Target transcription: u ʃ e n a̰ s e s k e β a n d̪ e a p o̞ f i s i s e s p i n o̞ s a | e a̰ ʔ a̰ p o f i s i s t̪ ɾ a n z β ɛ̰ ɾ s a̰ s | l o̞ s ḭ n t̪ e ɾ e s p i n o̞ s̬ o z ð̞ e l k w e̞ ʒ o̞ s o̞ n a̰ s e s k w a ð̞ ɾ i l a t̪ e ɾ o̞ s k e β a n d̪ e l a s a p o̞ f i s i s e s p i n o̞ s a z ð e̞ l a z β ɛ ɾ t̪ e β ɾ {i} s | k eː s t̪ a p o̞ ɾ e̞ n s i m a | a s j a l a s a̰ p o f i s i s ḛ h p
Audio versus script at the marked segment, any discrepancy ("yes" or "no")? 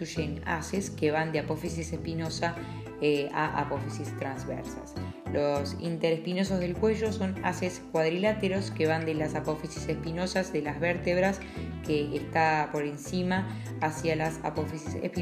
yes